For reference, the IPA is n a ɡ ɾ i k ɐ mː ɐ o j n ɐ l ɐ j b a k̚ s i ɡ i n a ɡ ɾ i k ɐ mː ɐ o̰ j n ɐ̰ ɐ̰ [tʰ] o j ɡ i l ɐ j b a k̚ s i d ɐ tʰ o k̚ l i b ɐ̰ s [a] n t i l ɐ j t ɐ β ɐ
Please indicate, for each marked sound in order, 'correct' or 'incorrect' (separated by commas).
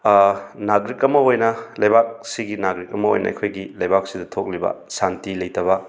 incorrect, correct